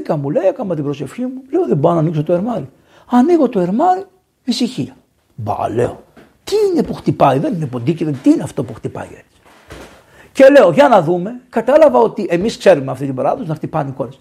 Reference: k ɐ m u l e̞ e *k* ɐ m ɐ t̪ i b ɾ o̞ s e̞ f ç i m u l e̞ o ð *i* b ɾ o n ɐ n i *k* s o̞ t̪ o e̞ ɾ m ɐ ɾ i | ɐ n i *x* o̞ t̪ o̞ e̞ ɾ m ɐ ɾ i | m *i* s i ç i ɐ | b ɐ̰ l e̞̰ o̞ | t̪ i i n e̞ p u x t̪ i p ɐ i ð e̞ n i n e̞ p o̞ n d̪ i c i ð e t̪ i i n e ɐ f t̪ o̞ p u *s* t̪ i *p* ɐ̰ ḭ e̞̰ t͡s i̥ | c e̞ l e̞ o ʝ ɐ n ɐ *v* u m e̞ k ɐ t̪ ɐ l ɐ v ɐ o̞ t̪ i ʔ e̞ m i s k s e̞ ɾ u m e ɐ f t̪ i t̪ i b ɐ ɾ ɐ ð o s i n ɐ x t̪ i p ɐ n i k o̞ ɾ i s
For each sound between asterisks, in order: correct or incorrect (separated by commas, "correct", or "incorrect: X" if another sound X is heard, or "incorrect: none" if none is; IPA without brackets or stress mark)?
correct, incorrect: e, correct, incorrect: ɣ, correct, incorrect: x, correct, incorrect: ð